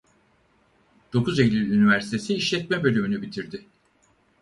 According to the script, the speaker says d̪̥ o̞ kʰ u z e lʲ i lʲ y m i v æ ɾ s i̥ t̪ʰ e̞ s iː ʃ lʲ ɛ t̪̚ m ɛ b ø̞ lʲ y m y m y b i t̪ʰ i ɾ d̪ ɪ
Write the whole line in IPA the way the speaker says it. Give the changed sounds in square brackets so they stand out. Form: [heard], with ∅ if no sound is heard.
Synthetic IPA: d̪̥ o̞ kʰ u z e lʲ i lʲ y [n] i v æ ɾ s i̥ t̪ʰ e̞ s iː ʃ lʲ ɛ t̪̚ m ɛ b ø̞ lʲ y m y [n] y b i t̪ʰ i ɾ d̪ ɪ